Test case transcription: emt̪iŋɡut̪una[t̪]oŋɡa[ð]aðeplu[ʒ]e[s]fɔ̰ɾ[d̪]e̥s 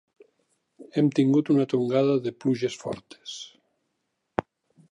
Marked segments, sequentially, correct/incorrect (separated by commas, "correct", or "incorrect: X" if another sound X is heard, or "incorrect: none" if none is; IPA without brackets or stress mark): correct, correct, correct, correct, incorrect: t̪